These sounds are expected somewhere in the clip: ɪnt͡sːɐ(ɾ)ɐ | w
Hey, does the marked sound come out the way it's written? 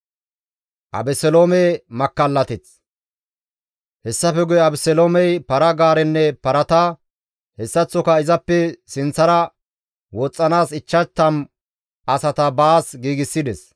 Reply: yes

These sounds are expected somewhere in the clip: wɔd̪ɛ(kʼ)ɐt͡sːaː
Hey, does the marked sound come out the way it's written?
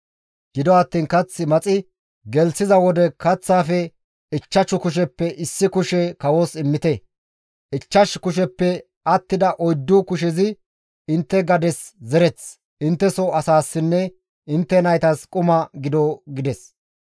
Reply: no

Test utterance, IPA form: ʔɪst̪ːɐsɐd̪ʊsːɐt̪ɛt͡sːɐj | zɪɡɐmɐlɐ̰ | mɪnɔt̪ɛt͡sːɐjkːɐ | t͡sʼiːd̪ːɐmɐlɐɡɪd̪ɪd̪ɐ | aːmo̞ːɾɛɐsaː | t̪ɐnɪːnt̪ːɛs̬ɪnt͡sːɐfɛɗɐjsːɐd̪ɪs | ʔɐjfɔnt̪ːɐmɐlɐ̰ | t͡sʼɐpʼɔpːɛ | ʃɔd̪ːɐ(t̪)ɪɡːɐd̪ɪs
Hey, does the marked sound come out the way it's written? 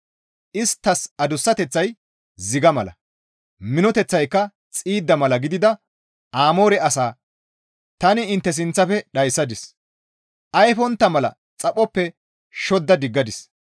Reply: no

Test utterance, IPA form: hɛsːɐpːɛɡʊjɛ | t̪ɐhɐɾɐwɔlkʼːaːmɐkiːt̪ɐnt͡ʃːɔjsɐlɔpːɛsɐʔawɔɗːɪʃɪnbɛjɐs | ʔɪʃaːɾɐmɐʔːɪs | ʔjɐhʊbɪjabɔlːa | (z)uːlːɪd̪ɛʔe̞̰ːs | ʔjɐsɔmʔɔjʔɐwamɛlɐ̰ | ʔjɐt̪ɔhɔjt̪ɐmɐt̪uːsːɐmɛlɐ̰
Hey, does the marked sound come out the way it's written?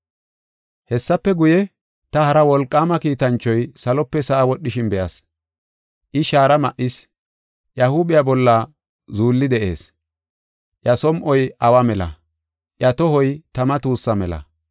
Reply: yes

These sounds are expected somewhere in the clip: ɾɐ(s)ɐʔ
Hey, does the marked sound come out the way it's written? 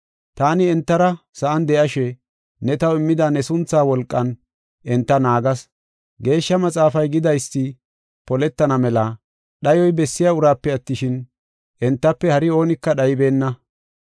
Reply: yes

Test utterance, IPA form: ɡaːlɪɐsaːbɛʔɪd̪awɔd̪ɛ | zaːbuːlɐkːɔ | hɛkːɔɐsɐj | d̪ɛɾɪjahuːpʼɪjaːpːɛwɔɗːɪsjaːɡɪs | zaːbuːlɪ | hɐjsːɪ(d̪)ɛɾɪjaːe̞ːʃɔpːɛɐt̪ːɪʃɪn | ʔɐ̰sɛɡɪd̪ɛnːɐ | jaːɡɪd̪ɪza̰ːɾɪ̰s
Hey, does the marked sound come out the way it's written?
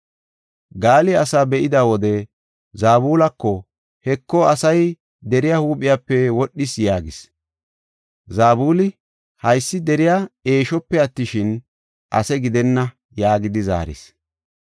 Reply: yes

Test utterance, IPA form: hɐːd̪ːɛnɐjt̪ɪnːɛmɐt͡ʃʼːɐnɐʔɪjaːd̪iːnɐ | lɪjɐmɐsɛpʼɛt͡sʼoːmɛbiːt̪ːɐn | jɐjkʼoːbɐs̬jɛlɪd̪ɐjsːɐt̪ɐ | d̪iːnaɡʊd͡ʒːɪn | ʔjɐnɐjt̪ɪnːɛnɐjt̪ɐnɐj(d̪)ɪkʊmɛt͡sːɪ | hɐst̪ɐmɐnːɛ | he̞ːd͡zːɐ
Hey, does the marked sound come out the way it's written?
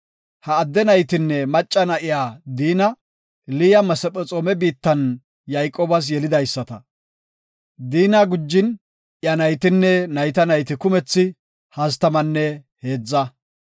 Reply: no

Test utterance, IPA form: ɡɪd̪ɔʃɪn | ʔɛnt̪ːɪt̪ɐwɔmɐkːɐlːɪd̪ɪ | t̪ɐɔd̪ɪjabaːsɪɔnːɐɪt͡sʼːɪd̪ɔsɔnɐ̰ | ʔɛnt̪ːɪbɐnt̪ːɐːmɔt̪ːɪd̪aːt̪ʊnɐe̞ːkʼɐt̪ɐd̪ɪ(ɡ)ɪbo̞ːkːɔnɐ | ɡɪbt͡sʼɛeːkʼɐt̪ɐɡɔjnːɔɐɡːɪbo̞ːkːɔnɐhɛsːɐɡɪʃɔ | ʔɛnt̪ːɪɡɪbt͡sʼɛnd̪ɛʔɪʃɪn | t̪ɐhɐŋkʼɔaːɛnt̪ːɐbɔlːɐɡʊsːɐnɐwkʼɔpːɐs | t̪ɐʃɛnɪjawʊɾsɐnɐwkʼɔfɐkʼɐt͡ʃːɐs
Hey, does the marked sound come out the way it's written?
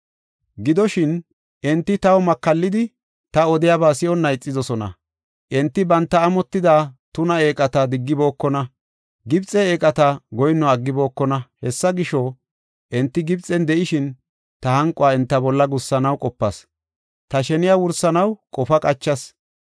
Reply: no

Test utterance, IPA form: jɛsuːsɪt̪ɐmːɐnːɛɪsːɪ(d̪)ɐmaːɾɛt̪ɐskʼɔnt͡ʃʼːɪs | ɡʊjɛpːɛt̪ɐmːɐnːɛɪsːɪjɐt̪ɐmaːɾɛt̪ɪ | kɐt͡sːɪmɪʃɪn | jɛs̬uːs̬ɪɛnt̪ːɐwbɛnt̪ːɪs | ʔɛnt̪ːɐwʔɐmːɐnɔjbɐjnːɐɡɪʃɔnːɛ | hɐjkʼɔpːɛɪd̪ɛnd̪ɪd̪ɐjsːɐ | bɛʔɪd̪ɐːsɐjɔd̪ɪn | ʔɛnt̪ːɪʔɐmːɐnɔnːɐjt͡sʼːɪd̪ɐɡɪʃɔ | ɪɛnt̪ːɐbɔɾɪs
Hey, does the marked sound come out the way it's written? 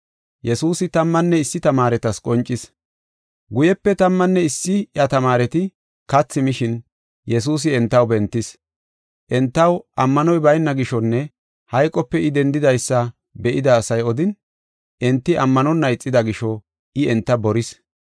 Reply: no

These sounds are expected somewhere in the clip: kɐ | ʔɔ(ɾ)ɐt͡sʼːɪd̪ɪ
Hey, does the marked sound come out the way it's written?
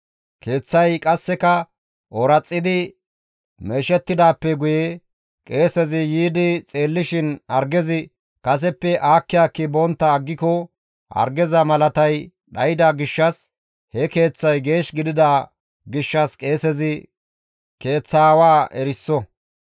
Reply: yes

